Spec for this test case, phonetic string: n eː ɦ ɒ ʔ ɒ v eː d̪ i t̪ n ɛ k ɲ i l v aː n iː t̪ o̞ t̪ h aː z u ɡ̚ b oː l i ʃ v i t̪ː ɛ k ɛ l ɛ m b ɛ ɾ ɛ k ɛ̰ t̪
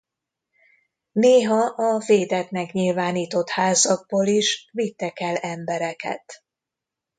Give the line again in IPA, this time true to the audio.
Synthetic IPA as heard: n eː ɦ ɒ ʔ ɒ v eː d̪ ɛ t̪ n ɛ k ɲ i l v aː n iː t̪ o̞ t̪ h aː z ɒ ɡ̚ b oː l i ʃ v i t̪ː ɛ k ɛ l ɛ m b ɛ ɾ ɛ k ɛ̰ t̪